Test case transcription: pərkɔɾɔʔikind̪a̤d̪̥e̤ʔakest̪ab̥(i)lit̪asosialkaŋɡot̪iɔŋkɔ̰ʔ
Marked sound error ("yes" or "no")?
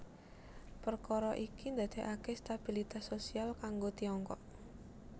no